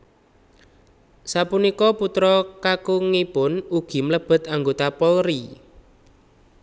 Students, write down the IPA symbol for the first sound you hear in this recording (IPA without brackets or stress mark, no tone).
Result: s